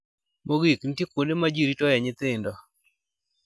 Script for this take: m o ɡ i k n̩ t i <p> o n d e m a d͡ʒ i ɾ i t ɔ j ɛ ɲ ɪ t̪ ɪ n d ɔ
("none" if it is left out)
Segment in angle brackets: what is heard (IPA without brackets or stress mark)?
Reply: k